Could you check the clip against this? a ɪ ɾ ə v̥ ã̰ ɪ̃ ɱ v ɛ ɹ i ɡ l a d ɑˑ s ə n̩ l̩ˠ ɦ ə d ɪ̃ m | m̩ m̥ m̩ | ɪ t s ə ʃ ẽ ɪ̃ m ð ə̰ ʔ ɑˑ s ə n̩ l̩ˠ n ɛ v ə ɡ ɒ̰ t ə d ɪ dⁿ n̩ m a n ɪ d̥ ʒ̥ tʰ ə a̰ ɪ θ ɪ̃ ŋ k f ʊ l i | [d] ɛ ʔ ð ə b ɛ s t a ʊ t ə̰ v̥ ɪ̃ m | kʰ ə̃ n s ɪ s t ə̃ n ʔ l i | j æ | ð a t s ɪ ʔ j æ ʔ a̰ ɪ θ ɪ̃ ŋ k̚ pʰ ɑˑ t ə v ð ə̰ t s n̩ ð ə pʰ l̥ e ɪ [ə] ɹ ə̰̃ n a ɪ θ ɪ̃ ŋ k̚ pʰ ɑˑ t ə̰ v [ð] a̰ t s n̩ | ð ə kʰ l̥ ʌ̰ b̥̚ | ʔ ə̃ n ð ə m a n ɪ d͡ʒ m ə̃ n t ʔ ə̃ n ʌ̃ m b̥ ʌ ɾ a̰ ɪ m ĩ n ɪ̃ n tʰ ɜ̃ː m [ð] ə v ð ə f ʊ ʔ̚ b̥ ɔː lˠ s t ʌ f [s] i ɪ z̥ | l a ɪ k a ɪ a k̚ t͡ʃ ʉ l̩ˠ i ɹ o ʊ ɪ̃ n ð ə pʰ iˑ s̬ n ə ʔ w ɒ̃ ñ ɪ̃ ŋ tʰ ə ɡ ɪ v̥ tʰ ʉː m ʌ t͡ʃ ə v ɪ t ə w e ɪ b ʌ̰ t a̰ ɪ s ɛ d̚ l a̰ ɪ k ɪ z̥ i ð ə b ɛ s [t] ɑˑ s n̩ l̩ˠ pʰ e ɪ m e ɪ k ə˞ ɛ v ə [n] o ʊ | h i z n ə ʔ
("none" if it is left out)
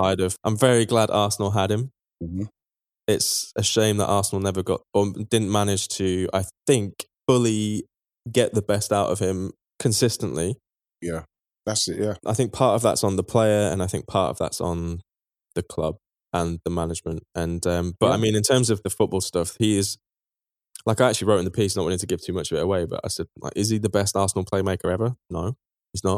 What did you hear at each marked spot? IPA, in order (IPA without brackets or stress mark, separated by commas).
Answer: ɡ, ə, ð, z, h, t, n